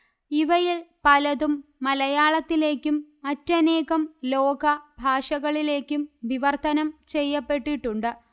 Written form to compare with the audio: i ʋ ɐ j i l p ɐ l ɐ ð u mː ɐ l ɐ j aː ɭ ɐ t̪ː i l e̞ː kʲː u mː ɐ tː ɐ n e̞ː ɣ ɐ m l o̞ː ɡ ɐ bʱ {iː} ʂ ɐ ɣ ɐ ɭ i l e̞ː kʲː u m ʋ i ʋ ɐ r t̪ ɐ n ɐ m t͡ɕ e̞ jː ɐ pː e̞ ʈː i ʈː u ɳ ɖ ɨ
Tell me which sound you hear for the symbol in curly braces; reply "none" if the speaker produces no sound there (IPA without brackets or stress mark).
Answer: aː